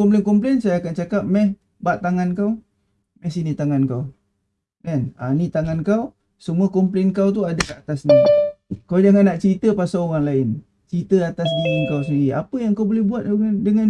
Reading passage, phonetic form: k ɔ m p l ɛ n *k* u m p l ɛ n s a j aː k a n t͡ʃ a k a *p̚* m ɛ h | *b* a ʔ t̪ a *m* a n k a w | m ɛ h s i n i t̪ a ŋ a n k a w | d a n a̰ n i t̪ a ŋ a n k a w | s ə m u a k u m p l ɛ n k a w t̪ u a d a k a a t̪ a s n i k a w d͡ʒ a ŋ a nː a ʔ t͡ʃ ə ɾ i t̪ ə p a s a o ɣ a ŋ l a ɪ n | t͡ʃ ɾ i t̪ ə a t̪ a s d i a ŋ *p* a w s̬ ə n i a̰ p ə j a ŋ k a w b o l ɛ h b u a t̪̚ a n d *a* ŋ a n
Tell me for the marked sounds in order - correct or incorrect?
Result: correct, correct, correct, incorrect: ŋ, incorrect: k, incorrect: ə

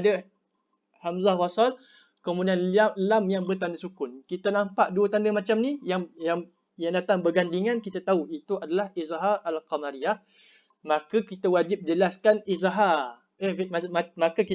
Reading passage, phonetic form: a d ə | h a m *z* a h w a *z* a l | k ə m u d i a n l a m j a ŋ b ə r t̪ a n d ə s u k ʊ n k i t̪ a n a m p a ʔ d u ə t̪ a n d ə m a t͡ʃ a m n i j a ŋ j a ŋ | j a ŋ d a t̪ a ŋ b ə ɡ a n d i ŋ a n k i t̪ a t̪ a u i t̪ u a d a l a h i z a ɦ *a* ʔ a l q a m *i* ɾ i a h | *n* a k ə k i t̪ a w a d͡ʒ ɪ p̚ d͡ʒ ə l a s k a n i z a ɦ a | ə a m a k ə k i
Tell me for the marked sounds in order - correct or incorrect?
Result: correct, incorrect: s, correct, incorrect: a, incorrect: m

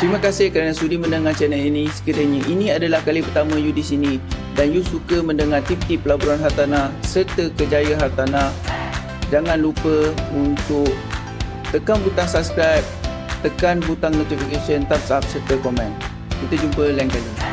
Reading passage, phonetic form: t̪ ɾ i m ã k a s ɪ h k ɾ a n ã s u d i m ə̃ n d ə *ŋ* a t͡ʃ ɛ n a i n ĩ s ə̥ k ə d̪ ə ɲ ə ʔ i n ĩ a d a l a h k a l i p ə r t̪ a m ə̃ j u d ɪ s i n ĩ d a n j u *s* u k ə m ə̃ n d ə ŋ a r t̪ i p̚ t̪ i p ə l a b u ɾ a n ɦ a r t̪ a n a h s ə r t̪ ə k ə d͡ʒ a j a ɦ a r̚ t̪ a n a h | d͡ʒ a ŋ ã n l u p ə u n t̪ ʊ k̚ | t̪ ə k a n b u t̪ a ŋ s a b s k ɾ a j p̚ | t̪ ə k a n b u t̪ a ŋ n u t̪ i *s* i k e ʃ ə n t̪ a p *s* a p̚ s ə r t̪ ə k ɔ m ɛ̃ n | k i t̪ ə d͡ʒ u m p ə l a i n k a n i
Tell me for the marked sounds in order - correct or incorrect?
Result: correct, correct, incorrect: f, correct

